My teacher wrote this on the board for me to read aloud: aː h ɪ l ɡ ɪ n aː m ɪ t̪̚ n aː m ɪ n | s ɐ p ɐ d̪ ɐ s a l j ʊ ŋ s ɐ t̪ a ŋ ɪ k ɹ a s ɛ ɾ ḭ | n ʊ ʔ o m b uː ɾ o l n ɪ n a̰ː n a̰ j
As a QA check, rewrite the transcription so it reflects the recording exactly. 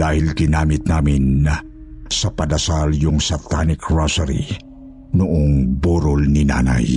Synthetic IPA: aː h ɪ l ɡ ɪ n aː m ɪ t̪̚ n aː m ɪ n | s ɐ p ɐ d̪ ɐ s a l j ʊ ŋ s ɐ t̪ a n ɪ k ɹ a s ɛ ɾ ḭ | n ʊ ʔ o ŋ b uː ɾ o l n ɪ n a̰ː n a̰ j